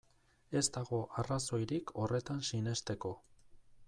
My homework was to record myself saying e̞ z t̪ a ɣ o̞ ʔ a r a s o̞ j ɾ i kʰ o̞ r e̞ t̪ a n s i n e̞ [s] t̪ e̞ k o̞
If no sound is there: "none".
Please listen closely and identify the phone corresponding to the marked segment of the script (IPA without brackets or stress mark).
s